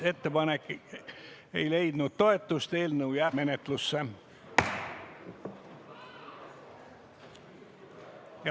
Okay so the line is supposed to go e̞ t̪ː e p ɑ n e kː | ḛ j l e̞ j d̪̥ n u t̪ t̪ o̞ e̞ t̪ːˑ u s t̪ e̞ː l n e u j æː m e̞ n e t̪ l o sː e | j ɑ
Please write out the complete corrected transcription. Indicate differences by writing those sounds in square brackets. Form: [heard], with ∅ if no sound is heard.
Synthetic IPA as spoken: e̞ t̪ː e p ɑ n e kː | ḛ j l e̞ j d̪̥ n u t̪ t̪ o̞ e̞ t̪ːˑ u s t̪ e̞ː l n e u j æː m e̞ n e t̪ l [u] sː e | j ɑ